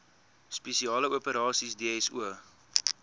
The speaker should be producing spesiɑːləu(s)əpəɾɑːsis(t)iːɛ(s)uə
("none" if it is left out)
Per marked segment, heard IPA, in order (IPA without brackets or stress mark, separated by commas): none, d, s